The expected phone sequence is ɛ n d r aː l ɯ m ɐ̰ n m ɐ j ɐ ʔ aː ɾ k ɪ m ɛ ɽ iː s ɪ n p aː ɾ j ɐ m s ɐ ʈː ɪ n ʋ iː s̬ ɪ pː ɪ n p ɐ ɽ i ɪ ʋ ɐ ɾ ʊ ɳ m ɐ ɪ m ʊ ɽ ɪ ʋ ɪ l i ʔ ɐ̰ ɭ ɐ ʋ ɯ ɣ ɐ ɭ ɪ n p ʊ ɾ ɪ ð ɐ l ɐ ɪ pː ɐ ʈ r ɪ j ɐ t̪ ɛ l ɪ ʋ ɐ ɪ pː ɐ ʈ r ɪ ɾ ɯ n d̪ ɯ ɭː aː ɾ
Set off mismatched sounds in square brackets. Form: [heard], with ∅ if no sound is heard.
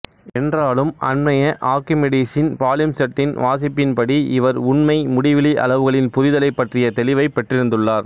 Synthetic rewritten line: ɛ n d r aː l ɯ m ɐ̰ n m ɐ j ɐ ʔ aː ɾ k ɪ m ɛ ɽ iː s ɪ n p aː [l] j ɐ m s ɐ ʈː ɪ n ʋ [aː] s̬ ɪ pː ɪ n p ɐ ɽ i ɪ ʋ ɐ ɾ ʊ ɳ m ɐ ɪ m ʊ ɽ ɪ ʋ ɪ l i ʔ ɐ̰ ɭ ɐ ʋ ɯ ɣ ɐ ɭ ɪ n p ʊ ɾ ɪ ð ɐ l ɐ ɪ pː ɐ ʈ r ɪ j ɐ t̪ ɛ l ɪ ʋ ɐ ɪ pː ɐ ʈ r ɪ ɾ ɯ n d̪ ɯ ɭː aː ɾ